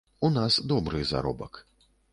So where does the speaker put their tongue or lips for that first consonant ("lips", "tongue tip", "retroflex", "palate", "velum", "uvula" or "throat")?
tongue tip